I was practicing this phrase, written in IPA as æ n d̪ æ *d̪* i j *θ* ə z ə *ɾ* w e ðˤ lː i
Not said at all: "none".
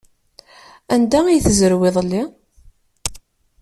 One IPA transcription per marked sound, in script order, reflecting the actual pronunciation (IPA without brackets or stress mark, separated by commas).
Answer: none, θ, ɾ